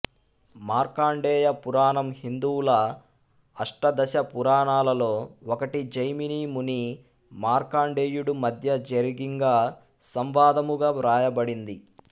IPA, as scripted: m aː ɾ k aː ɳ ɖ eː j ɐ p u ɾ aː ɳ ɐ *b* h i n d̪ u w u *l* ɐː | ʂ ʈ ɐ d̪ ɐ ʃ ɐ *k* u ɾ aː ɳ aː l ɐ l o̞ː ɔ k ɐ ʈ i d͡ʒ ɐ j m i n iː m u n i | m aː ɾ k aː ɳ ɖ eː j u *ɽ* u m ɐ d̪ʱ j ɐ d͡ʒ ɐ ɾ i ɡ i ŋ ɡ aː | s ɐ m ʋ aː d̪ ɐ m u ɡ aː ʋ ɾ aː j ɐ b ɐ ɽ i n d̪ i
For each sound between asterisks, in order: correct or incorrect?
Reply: incorrect, correct, incorrect, correct

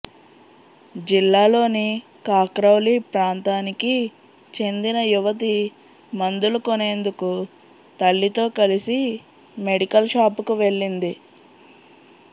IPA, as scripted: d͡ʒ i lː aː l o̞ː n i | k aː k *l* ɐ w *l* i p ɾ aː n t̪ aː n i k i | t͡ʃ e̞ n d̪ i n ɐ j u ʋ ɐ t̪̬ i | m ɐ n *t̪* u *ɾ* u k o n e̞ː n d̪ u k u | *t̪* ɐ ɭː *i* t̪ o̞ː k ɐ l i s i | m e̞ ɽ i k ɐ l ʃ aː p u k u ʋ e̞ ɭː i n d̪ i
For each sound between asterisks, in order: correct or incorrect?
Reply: incorrect, correct, incorrect, incorrect, correct, correct

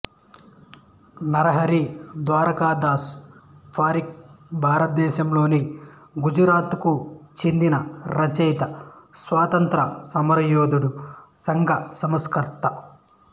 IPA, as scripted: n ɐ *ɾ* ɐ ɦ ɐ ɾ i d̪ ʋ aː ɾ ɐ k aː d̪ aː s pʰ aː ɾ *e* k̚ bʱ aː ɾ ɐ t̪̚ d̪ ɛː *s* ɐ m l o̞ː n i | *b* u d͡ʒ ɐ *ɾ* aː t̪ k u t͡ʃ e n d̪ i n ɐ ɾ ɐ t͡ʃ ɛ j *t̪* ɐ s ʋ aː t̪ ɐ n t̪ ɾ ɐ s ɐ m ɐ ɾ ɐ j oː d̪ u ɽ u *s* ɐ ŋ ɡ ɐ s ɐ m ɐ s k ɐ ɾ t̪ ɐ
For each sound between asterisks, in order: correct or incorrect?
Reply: correct, incorrect, incorrect, incorrect, correct, correct, correct

